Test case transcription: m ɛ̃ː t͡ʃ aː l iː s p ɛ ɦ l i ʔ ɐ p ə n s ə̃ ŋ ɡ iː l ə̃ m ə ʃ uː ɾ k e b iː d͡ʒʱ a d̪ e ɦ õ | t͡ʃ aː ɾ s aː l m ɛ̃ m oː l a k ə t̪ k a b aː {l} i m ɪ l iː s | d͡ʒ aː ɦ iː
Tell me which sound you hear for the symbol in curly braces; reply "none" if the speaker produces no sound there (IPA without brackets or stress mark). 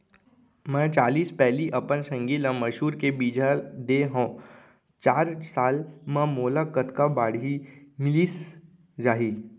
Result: ɽ